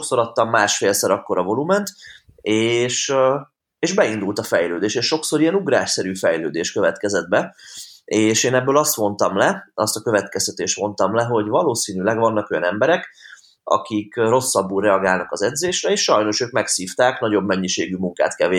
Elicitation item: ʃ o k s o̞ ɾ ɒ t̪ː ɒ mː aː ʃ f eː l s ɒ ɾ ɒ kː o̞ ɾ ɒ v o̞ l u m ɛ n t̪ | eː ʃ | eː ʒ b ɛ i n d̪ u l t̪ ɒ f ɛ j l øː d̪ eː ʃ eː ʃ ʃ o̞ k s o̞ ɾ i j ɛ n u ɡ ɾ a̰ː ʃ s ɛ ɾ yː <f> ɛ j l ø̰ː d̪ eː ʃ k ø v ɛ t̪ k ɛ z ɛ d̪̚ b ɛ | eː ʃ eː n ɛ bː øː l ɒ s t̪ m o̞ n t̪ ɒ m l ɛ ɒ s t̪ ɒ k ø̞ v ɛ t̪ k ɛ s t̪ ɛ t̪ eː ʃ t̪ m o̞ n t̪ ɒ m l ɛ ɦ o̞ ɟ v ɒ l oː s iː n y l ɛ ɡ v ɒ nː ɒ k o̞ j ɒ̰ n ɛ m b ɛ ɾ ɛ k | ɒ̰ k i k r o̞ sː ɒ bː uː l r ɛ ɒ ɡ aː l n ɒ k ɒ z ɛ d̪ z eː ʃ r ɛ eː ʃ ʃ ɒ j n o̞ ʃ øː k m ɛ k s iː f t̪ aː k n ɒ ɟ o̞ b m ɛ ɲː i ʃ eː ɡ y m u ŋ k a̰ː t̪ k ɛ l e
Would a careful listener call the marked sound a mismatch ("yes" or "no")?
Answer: no